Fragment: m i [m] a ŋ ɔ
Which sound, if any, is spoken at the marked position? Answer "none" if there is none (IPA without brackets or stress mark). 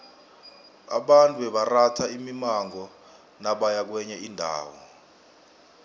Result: m